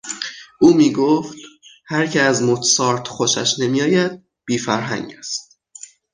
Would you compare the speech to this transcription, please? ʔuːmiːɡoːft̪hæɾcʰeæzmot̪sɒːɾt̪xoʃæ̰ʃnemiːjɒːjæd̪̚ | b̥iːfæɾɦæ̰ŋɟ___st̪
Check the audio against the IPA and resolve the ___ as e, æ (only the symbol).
æ